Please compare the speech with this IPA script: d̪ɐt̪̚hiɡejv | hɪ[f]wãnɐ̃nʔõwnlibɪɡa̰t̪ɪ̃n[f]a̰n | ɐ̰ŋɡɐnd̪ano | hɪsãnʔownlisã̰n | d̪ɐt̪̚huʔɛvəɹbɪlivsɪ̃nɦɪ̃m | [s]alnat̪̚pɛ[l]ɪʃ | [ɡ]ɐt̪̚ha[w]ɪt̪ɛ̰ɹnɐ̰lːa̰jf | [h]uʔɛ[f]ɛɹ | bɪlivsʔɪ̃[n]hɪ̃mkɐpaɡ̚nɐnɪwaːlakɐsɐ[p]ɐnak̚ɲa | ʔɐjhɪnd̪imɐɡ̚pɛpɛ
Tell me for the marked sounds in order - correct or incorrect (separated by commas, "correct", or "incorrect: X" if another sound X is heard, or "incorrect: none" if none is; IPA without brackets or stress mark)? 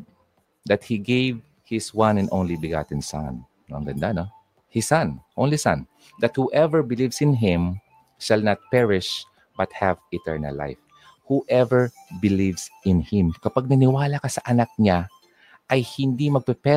incorrect: s, incorrect: s, incorrect: ʃ, incorrect: ɹ, incorrect: b, incorrect: v, correct, incorrect: v, correct, incorrect: ʔ